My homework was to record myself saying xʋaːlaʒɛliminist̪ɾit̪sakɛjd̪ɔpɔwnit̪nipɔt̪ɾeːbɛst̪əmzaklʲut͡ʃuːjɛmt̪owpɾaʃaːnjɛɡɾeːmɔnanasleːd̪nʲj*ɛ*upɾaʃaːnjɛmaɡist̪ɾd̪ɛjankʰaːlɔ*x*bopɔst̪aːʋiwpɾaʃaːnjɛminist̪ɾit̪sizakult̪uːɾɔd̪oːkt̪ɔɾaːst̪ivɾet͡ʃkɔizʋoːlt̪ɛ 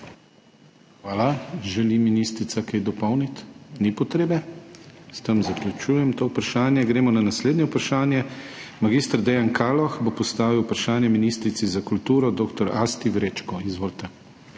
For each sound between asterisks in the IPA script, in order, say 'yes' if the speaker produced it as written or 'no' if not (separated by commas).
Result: yes, yes